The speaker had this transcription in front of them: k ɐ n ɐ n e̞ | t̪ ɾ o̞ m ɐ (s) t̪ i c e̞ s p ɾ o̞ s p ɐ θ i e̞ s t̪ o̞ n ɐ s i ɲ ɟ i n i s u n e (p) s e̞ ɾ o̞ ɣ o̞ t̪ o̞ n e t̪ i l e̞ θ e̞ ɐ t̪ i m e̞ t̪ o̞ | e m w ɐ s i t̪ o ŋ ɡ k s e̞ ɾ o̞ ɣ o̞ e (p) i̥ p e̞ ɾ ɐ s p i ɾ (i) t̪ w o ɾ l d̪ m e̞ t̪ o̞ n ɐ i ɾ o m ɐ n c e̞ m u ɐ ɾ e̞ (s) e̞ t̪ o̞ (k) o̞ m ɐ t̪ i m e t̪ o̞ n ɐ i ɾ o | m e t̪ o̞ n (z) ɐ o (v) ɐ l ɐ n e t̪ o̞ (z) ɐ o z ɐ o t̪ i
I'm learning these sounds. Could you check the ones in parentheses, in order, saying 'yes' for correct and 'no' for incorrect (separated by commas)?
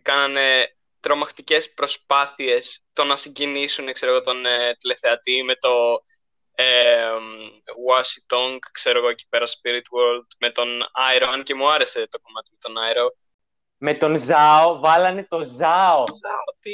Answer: no, no, no, yes, yes, yes, yes, yes, yes